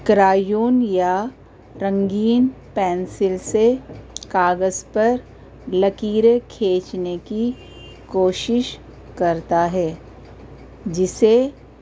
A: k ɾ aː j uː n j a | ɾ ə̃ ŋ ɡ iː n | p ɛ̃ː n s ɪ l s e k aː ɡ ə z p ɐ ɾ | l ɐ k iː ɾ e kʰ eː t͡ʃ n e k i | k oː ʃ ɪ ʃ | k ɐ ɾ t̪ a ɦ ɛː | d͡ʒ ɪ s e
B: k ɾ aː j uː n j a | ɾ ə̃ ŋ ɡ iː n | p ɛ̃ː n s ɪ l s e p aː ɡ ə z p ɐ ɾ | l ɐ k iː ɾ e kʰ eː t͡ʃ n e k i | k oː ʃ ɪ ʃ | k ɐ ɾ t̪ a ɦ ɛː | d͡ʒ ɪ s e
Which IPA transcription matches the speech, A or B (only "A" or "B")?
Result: A